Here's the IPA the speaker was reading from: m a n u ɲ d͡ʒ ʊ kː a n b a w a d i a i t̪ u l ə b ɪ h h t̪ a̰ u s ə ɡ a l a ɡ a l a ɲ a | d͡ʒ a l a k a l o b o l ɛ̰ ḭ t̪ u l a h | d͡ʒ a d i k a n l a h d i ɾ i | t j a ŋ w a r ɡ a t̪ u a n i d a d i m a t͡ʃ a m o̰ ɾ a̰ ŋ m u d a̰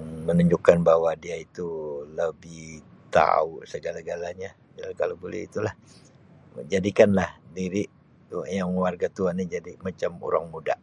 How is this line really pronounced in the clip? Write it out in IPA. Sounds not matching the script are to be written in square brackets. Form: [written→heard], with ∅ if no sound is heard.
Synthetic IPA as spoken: m [a→ə] n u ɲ d͡ʒ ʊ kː a n b a w a d i a i t̪ u l ə b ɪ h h t̪ a̰ u s ə ɡ a l a ɡ a l a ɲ a | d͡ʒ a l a k a l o b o l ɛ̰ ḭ t̪ u l a h | d͡ʒ a d i k a n l a h d i ɾ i | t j a ŋ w a r ɡ a t̪ u a n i [d→d͡ʒ] a d i m a t͡ʃ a m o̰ ɾ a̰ ŋ m u d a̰